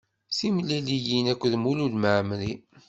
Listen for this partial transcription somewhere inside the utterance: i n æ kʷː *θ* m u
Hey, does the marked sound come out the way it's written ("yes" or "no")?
no